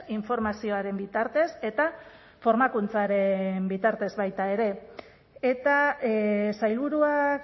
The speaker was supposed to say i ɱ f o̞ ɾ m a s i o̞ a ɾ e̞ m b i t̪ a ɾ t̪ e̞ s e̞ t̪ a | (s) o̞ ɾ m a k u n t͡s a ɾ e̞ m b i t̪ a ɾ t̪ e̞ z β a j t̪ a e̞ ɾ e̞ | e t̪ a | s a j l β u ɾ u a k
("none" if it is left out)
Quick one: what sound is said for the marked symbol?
f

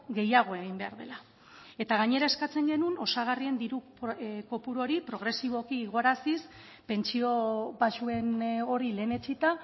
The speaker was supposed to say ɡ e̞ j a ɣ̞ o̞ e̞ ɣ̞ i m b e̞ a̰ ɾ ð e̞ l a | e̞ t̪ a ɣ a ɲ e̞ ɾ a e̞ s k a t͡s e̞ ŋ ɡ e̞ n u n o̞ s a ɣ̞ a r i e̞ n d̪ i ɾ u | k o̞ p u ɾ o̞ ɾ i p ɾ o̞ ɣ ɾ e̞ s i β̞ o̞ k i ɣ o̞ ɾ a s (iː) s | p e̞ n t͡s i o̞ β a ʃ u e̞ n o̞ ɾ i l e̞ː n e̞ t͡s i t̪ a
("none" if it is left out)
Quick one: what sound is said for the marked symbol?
i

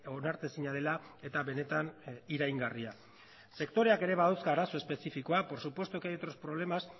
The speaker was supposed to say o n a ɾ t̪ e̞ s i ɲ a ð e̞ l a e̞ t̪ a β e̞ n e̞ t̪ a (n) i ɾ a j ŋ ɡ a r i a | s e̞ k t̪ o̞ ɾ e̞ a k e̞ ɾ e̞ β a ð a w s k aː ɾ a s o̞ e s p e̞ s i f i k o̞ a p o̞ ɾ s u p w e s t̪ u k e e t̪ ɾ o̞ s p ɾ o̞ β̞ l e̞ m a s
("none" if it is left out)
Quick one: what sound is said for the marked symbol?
n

